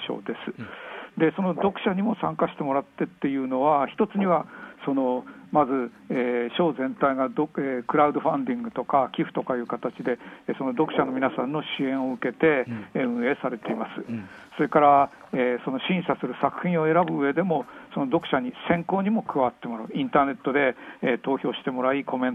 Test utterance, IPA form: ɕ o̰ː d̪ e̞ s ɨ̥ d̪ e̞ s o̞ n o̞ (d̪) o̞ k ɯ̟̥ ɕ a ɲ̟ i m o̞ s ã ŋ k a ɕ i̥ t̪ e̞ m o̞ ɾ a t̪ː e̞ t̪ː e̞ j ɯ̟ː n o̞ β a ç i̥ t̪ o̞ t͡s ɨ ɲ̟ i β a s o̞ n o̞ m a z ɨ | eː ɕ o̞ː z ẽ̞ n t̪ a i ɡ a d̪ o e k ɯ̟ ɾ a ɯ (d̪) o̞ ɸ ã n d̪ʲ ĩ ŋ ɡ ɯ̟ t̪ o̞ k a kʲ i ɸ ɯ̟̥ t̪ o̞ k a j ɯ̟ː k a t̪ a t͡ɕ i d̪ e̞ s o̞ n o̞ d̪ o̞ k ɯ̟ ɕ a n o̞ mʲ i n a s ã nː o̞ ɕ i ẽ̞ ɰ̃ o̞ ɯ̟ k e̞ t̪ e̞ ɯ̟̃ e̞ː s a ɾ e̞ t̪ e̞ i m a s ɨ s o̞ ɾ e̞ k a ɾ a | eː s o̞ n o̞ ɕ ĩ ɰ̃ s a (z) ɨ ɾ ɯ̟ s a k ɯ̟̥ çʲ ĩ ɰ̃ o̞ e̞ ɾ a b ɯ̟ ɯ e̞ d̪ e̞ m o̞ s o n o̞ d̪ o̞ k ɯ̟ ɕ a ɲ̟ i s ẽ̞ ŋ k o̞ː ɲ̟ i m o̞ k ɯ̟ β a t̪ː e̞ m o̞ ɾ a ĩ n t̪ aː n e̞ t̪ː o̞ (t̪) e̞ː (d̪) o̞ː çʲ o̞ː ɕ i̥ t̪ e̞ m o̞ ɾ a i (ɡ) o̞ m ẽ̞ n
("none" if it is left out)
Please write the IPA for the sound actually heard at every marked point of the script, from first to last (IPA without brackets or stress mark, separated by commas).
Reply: d̪, d̪, s, d̪, t̪, k